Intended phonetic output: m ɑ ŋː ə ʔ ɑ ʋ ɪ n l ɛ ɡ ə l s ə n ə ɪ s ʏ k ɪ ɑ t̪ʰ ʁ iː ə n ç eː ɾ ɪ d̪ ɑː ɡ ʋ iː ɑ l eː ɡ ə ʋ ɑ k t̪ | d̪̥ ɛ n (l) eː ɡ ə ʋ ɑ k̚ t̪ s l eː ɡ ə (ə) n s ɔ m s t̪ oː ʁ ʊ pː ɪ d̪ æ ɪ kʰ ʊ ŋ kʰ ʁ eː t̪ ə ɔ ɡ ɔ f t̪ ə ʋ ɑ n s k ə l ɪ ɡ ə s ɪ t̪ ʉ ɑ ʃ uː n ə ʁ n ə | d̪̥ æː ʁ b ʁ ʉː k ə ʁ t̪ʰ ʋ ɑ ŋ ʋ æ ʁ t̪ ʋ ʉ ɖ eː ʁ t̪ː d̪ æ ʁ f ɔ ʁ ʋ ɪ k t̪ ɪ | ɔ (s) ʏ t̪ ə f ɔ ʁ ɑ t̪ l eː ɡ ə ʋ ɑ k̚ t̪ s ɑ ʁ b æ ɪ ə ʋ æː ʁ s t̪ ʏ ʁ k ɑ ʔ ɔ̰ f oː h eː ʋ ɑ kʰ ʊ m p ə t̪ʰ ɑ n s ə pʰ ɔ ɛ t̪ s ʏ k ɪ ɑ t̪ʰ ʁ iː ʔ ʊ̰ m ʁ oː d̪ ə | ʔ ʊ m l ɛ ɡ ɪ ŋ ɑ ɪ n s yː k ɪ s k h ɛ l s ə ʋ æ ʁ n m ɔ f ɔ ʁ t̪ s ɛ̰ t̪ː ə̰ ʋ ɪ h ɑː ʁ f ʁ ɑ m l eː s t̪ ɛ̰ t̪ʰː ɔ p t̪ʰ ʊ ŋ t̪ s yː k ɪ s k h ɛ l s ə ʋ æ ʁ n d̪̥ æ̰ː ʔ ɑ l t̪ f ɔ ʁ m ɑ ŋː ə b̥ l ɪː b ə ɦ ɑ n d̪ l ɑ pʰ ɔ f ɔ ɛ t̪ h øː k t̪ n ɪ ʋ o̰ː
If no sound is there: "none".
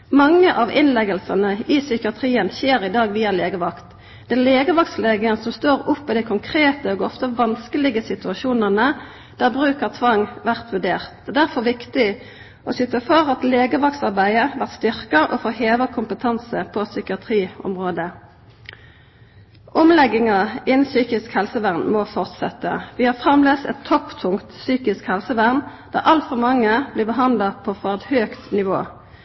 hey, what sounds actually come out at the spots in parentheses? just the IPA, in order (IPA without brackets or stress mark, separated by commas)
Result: l, ə, s